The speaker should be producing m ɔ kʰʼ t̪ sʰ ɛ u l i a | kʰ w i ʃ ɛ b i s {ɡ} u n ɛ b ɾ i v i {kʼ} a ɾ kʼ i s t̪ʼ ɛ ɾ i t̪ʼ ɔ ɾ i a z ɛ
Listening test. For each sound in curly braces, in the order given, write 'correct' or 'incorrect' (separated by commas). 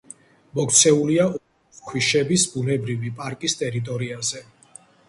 incorrect, incorrect